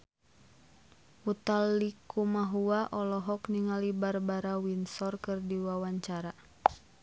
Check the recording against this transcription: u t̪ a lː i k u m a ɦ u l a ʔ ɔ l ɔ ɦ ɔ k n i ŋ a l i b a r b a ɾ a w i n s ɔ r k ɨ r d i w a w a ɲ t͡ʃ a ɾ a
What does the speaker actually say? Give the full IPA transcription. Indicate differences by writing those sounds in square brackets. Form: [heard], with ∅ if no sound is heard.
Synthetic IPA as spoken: u t̪ a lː i k u m a ɦ u [∅] a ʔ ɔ l ɔ ɦ ɔ k n i ŋ a l i b a r b a ɾ a w i n s ɔ r k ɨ r d i w a w a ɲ t͡ʃ a ɾ a